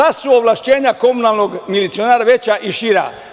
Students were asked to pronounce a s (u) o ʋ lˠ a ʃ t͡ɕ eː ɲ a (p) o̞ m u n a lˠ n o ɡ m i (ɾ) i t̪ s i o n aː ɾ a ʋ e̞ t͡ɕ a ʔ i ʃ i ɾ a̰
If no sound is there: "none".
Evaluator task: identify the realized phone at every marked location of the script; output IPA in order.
u, k, l

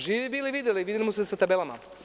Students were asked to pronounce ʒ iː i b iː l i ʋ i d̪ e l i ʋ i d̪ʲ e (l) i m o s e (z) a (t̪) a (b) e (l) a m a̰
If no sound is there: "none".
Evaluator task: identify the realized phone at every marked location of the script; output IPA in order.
l, s, t̪, b, l

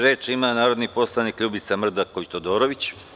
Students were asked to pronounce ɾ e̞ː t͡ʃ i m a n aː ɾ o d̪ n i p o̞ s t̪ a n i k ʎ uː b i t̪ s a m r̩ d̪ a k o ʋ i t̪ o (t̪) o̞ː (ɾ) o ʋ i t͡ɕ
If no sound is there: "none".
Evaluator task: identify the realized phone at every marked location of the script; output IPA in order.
d̪, ɾ

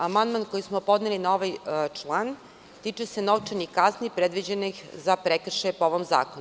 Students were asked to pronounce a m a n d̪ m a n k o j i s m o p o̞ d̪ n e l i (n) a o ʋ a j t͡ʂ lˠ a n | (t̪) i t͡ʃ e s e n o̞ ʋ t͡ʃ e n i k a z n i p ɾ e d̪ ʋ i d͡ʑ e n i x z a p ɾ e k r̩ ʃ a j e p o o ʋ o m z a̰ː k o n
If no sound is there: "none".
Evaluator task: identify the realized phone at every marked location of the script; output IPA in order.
n, t̪

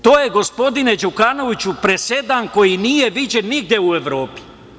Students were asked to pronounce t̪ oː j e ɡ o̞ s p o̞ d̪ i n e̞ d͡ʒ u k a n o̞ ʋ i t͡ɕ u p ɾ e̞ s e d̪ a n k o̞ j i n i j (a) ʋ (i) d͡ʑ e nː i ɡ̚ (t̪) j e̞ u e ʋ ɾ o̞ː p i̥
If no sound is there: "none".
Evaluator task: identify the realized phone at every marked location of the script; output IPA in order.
e, i, d̪

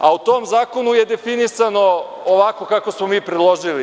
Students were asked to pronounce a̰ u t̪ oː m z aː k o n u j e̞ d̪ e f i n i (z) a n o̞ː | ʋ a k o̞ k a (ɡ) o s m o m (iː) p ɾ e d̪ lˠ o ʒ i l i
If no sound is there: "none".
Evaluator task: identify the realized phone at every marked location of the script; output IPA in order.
s, k, iː

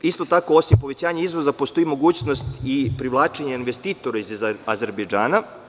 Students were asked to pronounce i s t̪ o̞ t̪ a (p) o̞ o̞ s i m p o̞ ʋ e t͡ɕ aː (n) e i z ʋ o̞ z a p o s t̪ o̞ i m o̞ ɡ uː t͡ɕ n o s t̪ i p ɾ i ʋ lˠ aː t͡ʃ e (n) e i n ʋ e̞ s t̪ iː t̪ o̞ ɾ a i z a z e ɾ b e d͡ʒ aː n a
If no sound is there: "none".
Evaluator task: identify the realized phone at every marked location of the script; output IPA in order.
k, ɲ, ɲ

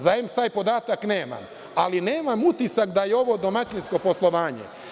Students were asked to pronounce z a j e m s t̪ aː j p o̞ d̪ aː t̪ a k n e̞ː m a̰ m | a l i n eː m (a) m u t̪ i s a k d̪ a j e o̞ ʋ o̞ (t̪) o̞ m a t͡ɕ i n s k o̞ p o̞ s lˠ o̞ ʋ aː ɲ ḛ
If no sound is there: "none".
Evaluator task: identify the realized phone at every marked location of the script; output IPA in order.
a, d̪

